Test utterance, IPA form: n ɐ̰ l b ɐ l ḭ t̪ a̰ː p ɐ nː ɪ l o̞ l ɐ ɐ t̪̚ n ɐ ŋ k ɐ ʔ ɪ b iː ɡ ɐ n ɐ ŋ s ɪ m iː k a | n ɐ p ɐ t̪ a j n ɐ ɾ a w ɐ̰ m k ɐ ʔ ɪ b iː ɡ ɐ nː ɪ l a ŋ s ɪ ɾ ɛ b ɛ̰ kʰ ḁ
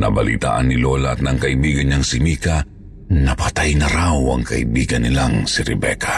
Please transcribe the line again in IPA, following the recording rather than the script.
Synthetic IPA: n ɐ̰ b ɐ l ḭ t̪ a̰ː ʔ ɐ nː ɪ l o̞ l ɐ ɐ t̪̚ n ɐ ŋ k ɐ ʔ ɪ b iː ɡ ɐ n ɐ ŋ s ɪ m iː k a | n ɐ p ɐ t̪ a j n ɐ ɾ a w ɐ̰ ŋ k ɐ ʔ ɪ b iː ɡ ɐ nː ɪ l a ŋ s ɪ ɾ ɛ b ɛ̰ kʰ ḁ